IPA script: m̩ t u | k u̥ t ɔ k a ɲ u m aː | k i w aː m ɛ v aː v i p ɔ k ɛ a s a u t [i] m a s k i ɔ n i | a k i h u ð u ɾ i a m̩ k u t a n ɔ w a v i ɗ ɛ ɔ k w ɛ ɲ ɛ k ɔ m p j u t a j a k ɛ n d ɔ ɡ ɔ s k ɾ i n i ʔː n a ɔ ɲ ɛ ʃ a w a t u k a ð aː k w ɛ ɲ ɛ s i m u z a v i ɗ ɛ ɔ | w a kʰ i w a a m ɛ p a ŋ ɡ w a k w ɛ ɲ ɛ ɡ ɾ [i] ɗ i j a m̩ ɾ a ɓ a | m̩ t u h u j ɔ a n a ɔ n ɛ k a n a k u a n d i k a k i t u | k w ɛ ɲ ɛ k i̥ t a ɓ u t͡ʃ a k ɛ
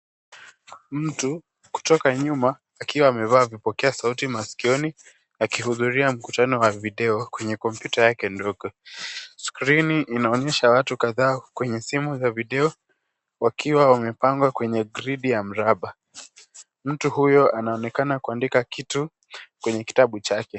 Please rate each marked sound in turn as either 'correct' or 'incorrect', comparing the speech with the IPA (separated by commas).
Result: correct, correct